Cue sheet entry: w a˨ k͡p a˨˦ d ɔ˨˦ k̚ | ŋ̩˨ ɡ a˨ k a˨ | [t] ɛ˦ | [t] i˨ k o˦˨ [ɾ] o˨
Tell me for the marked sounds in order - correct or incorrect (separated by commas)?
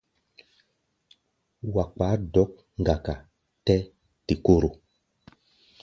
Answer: correct, correct, correct